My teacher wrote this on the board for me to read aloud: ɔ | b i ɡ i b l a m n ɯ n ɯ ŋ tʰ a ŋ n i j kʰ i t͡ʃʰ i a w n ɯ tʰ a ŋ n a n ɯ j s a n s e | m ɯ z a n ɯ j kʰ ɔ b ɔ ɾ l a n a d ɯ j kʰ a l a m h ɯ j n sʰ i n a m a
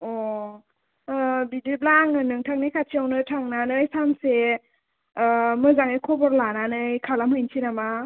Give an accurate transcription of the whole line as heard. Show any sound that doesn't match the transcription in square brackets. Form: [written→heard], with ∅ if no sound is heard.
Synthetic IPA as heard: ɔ | b i [ɡ→d] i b l a [m→ŋ] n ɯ n ɯ ŋ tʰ a ŋ n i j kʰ [i→a] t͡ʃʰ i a w n ɯ tʰ a ŋ n a n ɯ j s a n s e | m ɯ z a [n→ŋ] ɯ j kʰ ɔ b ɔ ɾ l a n a [d→n] ɯ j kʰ a l a m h ɯ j n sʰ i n a m a